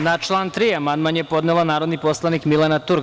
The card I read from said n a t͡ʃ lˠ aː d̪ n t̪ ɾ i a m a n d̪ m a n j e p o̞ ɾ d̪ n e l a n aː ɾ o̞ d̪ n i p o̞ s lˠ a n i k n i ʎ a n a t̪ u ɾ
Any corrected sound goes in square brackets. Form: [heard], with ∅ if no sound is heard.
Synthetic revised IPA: n a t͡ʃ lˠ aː [∅] n t̪ ɾ i a m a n d̪ m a n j e p o̞ [∅] d̪ n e l a n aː ɾ o̞ d̪ n i p o̞ s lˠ a n i k [m] i [l] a n a t̪ u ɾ